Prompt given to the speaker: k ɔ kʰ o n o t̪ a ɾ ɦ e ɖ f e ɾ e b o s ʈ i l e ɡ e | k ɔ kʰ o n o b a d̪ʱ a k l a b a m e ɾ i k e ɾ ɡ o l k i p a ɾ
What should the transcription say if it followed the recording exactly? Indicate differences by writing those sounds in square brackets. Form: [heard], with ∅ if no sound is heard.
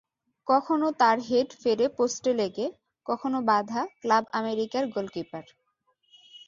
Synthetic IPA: k ɔ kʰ o n o t̪ a ɾ ɦ e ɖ f e ɾ e [p] o s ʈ [e] l e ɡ e | k ɔ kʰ o n o b a d̪ʱ a k l a b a m e ɾ i k [a] ɾ ɡ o l k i p a ɾ

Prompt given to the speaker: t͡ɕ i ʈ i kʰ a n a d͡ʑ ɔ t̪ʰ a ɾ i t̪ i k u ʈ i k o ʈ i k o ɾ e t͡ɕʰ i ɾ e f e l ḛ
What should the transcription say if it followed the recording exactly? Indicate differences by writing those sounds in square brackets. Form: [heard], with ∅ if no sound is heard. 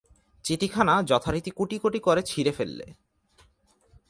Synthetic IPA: t͡ɕ i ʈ i kʰ a n a d͡ʑ ɔ t̪ʰ a ɾ i t̪ i k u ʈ i k o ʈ i k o ɾ e t͡ɕʰ i ɾ e f e [lː] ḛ

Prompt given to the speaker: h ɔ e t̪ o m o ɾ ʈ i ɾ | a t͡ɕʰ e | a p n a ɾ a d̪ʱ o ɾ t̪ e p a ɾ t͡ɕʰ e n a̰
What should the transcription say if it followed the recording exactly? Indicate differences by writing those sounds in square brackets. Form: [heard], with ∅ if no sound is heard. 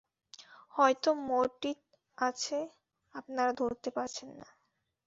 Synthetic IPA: h ɔ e t̪ o m o ɾ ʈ i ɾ | a t͡ɕʰ e | a p n a ɾ a d̪ʱ o ɾ t̪ e p a ɾ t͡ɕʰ e [nː] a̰

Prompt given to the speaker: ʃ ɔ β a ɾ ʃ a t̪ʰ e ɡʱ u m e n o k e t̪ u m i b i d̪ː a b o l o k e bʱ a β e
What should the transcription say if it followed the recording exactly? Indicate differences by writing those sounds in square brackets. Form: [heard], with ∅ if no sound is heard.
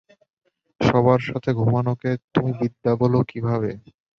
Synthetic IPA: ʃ ɔ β a ɾ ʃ a t̪ʰ e ɡʱ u m [a] n o k e t̪ u m i b i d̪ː a b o l o k [i] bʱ a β e

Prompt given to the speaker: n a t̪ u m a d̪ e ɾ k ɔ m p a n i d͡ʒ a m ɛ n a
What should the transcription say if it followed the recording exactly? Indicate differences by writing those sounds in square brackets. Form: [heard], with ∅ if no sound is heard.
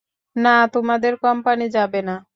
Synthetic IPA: n a t̪ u m a d̪ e ɾ k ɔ m p a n i d͡ʒ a [b] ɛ n a

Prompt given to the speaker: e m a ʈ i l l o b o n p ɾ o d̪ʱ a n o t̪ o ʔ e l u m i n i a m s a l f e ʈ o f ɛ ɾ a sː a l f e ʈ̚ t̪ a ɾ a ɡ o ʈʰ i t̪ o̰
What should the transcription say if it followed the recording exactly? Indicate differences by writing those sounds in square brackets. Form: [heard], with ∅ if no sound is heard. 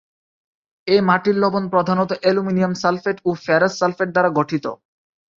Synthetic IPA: e m a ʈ i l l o b o n p ɾ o d̪ʱ a n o t̪ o ʔ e l u m i n i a m s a l f e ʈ o f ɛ ɾ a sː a l f e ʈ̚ [d̪] a ɾ a ɡ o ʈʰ i t̪ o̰

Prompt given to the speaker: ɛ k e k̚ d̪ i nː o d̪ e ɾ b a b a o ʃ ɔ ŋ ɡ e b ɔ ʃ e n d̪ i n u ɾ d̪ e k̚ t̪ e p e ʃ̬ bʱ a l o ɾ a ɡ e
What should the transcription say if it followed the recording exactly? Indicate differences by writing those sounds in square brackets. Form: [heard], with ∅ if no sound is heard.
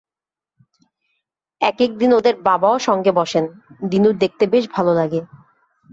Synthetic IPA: ɛ k e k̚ d̪ i [n] o d̪ e ɾ b a b a o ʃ ɔ ŋ ɡ e b ɔ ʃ e n d̪ i n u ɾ d̪ e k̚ t̪ e [b] e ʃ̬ bʱ a l o [l] a ɡ e

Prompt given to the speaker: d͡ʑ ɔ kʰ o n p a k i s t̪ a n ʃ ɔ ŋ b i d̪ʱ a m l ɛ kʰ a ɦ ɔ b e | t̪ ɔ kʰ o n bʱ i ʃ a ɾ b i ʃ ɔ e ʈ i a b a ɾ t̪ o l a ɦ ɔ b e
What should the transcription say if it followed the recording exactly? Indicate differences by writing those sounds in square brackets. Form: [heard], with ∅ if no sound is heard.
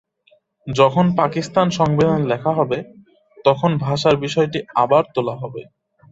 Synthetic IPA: d͡ʑ ɔ kʰ o n p a k i s t̪ a n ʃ ɔ ŋ b i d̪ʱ a [n] l ɛ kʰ a ɦ ɔ b e | t̪ ɔ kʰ o n bʱ [a] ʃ a ɾ b i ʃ ɔ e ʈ i a b a ɾ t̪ o l a ɦ ɔ b e

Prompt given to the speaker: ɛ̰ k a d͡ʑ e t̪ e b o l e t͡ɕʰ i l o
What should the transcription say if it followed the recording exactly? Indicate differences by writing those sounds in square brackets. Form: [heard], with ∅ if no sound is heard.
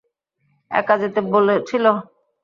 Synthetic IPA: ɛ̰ k a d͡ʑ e t̪ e b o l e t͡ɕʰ i l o

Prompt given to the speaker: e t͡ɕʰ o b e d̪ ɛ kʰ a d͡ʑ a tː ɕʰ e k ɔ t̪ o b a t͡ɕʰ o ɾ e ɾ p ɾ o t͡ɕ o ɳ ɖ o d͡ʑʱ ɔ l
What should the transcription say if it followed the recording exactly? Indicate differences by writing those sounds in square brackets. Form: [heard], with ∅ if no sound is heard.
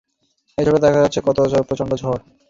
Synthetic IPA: e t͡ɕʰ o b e d̪ ɛ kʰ a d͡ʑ a tː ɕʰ e k ɔ t̪ o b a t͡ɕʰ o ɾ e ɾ p ɾ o t͡ɕ o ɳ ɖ o d͡ʑʱ ɔ [ɾ]

